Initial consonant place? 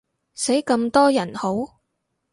alveolar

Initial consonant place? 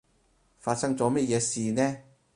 labial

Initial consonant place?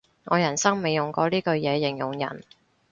velar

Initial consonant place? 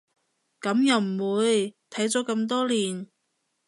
velar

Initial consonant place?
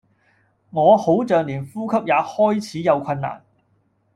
velar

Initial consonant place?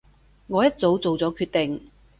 velar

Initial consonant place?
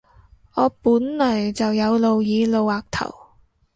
labial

